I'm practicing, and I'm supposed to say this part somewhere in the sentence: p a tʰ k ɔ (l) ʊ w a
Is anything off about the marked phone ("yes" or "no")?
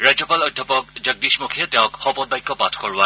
yes